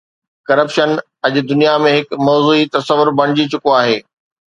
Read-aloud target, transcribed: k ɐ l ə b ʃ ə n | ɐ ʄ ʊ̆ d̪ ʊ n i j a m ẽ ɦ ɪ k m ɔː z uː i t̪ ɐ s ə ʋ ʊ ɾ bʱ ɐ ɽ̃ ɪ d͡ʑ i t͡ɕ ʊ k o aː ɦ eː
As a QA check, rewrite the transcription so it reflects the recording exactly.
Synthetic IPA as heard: k ɐ ɾ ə p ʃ ə n | ɐ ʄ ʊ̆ d̪ ʊ n i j a m ẽ ɦ ɪ k m ɔː z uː i t̪ ɐ s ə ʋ ʊ ɾ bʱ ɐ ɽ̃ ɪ d͡ʑ i t͡ɕ ʊ k o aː ɦ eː

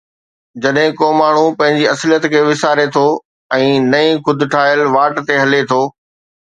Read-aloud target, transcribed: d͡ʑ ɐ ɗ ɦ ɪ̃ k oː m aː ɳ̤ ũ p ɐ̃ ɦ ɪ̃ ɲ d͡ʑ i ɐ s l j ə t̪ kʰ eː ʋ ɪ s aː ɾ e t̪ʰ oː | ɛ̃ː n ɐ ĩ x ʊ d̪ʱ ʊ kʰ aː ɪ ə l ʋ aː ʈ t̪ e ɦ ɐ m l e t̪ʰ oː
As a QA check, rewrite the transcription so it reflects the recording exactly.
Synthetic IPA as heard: d͡ʑ ɐ ɗ ɦ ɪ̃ k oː m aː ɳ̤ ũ p ɐ̃ ɦ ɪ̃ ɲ d͡ʑ i ɐ s l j ə t̪ kʰ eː ʋ ɪ s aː ɾ e t̪ʰ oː | ɛ̃ː n ɐ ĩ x ʊ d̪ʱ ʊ ʈʰ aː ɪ ə l ʋ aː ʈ t̪ e ɦ ɐ l e t̪ʰ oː

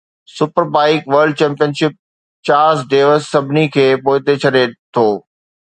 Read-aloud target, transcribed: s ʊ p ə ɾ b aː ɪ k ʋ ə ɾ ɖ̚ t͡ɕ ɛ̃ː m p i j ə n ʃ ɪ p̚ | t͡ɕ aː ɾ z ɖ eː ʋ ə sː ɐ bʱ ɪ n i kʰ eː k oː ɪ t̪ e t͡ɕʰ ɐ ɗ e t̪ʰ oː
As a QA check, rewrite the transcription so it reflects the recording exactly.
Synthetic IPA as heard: s ʊ p ə ɾ b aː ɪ k ʋ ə ɾ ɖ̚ t͡ɕ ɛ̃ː m p i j ə n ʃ ɪ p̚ | t͡ɕ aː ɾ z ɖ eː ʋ ə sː ɐ bʱ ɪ n i kʰ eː p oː ɪ t̪ e t͡ɕʰ ɐ ɗ e t̪ʰ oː

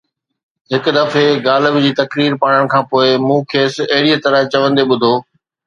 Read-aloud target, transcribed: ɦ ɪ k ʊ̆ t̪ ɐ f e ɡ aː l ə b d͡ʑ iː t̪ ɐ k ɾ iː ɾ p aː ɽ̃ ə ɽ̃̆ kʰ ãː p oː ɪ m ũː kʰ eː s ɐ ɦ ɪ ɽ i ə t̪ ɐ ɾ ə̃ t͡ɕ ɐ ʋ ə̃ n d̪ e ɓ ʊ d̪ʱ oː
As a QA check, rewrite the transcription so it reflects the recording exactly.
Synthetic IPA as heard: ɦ ɪ k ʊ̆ d̪ ɐ f e ɡ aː l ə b d͡ʑ iː t̪ ɐ k ɾ iː ɾ p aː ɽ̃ ə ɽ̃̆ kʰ ãː p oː ɪ m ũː kʰ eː s ɐ ɦ ɪ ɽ i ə t̪ ɐ ɾ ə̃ t͡ɕ ɐ ʋ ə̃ n d̪ e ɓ ʊ d̪ʱ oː

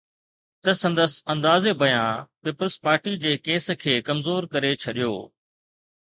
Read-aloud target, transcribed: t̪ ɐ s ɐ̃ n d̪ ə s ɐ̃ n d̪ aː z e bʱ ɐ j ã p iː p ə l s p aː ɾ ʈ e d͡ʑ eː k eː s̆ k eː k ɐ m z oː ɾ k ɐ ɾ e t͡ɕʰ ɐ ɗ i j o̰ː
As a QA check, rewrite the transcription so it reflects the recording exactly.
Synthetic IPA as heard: t̪ ɐ s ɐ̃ n d̪ ə s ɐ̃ n d̪ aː z e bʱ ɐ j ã p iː p ə l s p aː ɾ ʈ i d͡ʑ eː k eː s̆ kʰ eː k ɐ m z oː ɾ k ɐ ɾ e t͡ɕʰ ɐ ɗ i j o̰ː

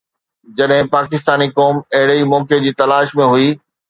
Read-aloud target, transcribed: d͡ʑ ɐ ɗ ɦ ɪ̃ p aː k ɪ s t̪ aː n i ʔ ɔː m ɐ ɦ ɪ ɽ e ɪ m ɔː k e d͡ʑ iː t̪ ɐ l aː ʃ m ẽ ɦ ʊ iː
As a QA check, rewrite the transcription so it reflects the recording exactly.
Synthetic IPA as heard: d͡ʑ ɐ ɗ ɦ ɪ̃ p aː k ɪ s t̪ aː n i k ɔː m ɐ ɦ ɪ ɽ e i m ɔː k e d͡ʑ iː t̪ ɐ l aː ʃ m ẽ ɦ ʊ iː

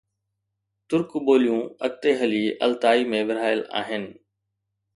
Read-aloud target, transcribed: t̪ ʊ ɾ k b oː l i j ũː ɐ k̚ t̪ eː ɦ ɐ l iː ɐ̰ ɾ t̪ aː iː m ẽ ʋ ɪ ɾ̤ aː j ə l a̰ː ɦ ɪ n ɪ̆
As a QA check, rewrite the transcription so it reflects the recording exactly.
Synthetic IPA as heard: t̪ ʊ ɾ k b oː l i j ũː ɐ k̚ t̪ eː ɦ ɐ l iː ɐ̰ l t̪ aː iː m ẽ ʋ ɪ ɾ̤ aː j ə l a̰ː ɦ ɪ n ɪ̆

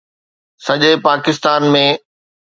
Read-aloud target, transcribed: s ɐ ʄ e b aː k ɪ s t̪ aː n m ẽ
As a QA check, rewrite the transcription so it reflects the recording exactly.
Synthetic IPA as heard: s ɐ ʄ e p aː k ɪ s t̪ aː n m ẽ

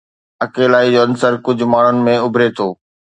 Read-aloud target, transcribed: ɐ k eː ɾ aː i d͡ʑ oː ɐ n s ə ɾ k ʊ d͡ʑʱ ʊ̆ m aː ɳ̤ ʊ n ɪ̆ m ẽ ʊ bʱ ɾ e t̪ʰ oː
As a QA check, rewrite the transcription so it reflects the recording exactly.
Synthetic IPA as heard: ɐ k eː l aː i d͡ʑ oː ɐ n s ə ɾ k ʊ d͡ʑʱ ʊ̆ m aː ɳ̤ ʊ n ɪ̆ m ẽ ʊ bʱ ɾ e t̪ʰ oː

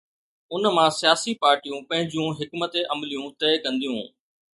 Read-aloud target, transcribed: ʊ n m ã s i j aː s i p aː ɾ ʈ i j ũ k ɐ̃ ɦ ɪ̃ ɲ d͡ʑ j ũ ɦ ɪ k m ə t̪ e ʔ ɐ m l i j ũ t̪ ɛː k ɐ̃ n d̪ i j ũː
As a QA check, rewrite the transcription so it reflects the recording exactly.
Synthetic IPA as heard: ʊ n m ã s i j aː s i p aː ɾ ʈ i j ũ p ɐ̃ ɦ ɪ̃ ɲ d͡ʑ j ũ ɦ ɪ k m ə t̪ e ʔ ɐ m l i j ũ t̪ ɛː k ɐ̃ n d̪ i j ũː

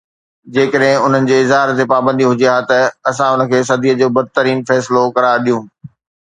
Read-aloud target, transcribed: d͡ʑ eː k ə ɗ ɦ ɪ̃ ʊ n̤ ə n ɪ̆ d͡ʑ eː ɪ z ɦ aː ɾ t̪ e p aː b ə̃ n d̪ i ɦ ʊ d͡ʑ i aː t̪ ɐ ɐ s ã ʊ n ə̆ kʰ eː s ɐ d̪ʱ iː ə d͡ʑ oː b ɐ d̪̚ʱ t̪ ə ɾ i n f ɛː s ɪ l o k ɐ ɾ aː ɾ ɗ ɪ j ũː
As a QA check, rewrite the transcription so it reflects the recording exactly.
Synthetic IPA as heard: d͡ʑ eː k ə ɗ ɦ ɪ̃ ʊ n̤ ə n ɪ̆ d͡ʑ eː ɪ z ɦ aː ɾ t̪ e p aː b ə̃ n d̪ i ɦ ʊ d͡ʑ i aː t̪ ɐ ɐ s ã ʊ n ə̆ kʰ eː s ɐ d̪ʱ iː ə d͡ʑ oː b ɐ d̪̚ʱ t̪ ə ɾ iː n f ɛː s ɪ l o k ɐ ɾ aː ɾ ɗ i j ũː

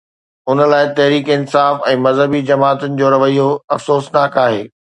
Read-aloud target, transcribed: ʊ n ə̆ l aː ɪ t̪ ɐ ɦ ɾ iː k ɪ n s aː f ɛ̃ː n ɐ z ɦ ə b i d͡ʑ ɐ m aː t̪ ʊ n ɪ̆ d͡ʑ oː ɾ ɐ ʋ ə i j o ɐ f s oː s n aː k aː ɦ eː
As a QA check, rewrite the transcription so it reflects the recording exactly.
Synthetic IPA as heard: ʊ n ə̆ l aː ɪ t̪ ɐ ɦ ɾ iː k ɪ n s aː f ɛ̃ː m ɐ z ɦ ə b i d͡ʑ ɐ m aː t̪ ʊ n ɪ̆ d͡ʑ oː ɾ ɐ ʋ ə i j o ɐ f s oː s n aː k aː ɦ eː

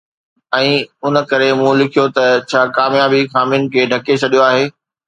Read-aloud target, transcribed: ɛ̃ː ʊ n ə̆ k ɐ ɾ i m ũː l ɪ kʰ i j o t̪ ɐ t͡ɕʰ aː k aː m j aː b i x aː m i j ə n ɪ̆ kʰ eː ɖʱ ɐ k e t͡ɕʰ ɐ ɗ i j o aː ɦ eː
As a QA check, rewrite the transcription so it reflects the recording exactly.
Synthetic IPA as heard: ɛ̃ː ʊ n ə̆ k ɐ ɾ e m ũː l ɪ kʰ i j o t̪ ɐ t͡ɕʰ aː k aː m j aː b i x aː m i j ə n ɪ̆ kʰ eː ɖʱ ɐ k e t͡ɕʰ ɐ ɗ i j o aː ɦ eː

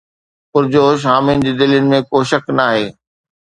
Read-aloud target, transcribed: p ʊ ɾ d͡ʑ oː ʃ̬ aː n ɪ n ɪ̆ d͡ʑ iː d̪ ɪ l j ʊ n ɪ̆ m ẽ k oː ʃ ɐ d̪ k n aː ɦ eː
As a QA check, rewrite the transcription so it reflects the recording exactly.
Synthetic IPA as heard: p ʊ ɾ d͡ʑ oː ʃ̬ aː m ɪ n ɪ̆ d͡ʑ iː d̪ ɪ l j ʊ n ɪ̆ m ẽ k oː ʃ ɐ k n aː ɦ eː

